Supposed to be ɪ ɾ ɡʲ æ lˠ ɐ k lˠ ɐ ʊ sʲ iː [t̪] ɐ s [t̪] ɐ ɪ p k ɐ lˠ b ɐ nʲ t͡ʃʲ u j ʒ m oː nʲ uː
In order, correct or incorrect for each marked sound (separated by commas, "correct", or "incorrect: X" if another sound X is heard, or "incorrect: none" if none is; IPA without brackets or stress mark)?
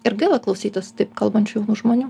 correct, correct